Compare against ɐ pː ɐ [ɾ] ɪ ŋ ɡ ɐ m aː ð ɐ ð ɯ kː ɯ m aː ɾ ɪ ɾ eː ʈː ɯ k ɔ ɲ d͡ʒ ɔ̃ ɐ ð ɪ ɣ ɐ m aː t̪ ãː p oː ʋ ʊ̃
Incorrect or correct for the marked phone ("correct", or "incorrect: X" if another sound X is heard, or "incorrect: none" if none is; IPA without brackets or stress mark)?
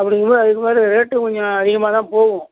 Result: incorrect: ɽ